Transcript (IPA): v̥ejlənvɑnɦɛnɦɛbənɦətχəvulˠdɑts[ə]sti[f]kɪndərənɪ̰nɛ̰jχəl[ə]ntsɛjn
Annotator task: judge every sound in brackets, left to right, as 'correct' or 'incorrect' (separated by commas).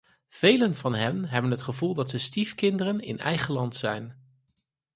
correct, correct, incorrect